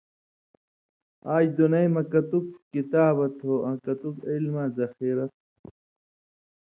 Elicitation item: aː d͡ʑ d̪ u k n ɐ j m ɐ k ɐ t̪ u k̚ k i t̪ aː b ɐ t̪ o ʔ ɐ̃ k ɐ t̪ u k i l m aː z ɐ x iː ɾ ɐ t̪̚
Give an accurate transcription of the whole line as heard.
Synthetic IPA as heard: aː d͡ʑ d̪ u n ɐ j m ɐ k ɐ t̪ u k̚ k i t̪ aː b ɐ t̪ o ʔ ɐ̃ k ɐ t̪ u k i l m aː z ɐ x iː ɾ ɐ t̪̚